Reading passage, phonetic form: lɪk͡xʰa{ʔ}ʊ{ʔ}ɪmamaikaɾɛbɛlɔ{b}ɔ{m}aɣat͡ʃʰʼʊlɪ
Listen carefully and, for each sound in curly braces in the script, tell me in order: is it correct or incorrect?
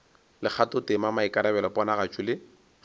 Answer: incorrect, incorrect, incorrect, incorrect

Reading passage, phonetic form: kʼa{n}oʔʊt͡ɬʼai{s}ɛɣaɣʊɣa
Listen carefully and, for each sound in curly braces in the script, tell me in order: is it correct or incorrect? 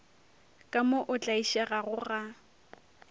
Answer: incorrect, incorrect

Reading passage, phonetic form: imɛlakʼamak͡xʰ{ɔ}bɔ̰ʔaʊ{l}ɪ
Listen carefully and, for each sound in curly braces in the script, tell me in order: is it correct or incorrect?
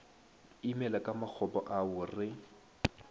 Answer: correct, incorrect

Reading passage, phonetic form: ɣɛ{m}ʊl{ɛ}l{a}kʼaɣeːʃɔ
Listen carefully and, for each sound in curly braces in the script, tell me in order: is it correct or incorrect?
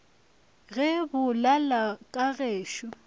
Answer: incorrect, incorrect, correct

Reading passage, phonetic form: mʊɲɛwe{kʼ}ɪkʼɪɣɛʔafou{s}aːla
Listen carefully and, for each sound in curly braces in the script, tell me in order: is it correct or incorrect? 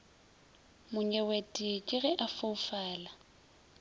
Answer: incorrect, incorrect

